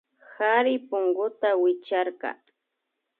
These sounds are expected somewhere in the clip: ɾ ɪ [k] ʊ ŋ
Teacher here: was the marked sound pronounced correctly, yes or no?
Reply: no